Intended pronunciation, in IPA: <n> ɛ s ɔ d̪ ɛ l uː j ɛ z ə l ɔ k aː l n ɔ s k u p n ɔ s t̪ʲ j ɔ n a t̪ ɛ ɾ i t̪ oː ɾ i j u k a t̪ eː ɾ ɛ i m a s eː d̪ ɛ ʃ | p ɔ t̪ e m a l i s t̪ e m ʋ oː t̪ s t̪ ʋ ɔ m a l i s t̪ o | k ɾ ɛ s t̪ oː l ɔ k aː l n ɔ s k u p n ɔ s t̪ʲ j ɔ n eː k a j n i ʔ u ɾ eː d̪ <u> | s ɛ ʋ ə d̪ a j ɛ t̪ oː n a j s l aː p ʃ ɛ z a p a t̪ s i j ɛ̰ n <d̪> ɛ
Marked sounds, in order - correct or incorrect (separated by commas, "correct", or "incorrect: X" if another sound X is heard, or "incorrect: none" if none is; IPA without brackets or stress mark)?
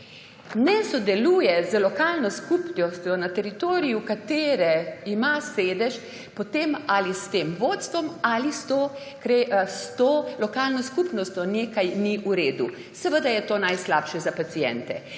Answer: correct, correct, incorrect: t̪